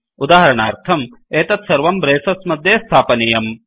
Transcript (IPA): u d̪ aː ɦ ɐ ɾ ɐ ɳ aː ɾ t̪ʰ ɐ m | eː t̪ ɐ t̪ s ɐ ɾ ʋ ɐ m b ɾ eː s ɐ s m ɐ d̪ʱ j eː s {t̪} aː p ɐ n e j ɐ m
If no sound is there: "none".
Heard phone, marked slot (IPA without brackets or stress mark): t̪ʰ